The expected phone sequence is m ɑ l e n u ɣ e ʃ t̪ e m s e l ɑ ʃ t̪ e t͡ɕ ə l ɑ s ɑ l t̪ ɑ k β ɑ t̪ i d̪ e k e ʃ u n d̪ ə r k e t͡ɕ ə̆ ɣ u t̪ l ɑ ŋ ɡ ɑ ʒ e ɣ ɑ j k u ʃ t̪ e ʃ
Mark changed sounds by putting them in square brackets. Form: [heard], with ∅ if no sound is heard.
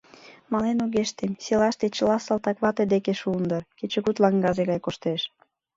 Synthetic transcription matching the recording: m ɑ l e n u ɣ e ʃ t̪ e m s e l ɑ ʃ t̪ e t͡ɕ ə l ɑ s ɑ l t̪ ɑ k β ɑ t̪ [e] d̪ e k e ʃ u n d̪ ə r k e t͡ɕ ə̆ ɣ u t̪ l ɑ ŋ ɡ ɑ ʒ e ɣ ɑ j k [o] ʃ t̪ e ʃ